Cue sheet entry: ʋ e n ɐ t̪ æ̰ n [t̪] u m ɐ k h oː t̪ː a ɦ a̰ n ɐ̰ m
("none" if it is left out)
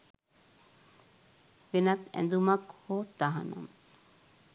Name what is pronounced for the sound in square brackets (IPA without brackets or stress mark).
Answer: d̪